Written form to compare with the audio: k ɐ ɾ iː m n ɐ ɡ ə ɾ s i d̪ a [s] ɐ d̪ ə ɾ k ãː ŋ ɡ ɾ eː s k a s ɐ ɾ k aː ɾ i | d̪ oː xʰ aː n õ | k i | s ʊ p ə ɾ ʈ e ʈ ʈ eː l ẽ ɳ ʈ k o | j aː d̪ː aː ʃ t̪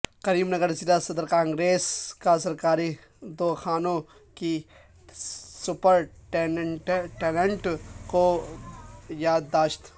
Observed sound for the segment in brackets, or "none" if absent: s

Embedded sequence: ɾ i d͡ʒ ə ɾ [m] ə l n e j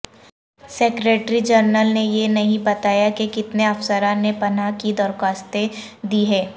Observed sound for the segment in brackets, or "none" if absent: n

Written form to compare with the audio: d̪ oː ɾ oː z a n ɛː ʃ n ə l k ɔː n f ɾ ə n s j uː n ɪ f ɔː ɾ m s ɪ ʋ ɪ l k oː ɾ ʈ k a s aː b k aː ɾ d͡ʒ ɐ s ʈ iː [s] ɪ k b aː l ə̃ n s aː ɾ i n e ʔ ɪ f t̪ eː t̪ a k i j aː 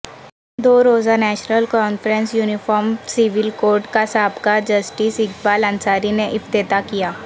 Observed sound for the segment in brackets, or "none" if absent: s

